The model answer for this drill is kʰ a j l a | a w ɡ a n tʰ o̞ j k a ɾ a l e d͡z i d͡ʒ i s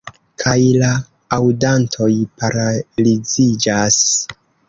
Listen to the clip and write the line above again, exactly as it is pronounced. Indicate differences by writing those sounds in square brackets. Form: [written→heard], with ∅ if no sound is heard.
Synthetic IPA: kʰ a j l a | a w [ɡ→d] a n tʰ o̞ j [k→p] a ɾ a l [e→i] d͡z i d͡ʒ [i→a] s

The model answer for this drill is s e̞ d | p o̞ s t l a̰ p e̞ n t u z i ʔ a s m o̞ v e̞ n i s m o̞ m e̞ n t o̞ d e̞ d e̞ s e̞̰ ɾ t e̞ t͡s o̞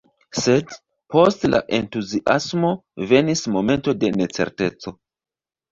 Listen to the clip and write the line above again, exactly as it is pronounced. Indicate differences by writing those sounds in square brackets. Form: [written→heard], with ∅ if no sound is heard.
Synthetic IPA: s e̞ d | p o̞ s t l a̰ [p→ʔ] e̞ n t u z i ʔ a s m o̞ v e̞ n i s m o̞ m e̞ n t o̞ d e̞ [d→n] e̞ [s→t͡s] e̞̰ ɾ t e̞ t͡s o̞

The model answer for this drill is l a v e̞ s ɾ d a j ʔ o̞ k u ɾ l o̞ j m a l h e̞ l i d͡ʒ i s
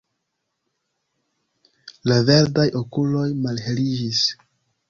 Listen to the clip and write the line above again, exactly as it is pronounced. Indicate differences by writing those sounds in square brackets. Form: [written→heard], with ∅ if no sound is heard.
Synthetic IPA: l a v e̞ [s→∅] ɾ d a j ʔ o̞ k u [ɾ→∅] l o̞ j m a l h e̞ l i d͡ʒ i s

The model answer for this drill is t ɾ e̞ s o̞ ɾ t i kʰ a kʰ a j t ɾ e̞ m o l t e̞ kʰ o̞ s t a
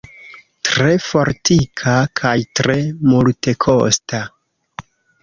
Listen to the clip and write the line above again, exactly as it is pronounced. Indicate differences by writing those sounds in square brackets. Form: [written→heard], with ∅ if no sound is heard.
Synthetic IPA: t ɾ e̞ [s→f] o̞ ɾ t i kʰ a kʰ a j t ɾ e̞ m [o→u] l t e̞ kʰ o̞ s t a

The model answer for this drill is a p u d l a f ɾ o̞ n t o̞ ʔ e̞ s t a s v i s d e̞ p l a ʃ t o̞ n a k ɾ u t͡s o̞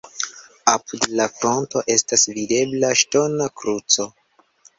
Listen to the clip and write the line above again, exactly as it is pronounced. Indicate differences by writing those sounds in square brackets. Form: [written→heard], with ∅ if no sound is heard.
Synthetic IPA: a p u d l a f ɾ o̞ n t o̞ ʔ e̞ s t a s v i [s→∅] d e̞ [p→b] l a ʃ t o̞ n a k ɾ u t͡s o̞

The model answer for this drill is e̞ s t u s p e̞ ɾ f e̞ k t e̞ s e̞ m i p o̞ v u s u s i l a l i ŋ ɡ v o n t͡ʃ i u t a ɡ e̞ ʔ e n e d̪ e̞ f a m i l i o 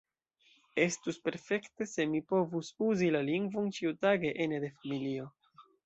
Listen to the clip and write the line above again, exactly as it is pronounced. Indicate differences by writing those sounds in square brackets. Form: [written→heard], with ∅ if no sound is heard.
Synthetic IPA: e̞ s t u s p e̞ ɾ f e̞ k t e̞ s e̞ m i p o̞ v u s u [s→z] i l a l i ŋ ɡ v o n t͡ʃ i u t a ɡ e̞ ʔ e n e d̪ e̞ f a m i l i o

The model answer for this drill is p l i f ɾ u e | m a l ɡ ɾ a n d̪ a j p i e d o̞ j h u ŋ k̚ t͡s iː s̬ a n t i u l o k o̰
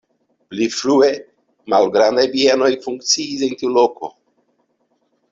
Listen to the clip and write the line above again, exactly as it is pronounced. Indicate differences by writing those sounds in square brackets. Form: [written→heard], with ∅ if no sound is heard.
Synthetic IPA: p l i f ɾ u e | m a l ɡ ɾ a n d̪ a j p i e [d→n] o̞ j [h→f] u ŋ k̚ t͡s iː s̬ [a→e] n t i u l o k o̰

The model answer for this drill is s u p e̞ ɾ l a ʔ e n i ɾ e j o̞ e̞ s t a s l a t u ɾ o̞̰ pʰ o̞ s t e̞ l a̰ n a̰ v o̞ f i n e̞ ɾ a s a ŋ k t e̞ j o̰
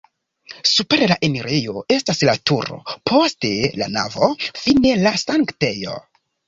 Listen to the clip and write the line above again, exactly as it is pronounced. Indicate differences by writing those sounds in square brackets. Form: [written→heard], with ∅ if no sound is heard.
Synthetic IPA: s u p e̞ ɾ l a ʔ e n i ɾ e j o̞ e̞ s t a s l a t u ɾ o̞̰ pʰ o̞ s t e̞ l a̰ n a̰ v o̞ f i n e̞ [ɾ→l] a s a ŋ k t e̞ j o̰

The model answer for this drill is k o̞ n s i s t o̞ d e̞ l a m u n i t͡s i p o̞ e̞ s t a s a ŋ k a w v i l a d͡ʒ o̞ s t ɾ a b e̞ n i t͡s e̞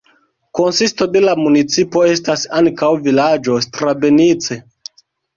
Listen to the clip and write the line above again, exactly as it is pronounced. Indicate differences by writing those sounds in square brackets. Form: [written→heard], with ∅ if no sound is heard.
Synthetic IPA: k o̞ n s i s t o̞ d e̞ l a m u n i t͡s i p o̞ e̞ s t a s a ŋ k a w v i l a d͡ʒ o̞ s t ɾ a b e̞ n i t͡s e̞

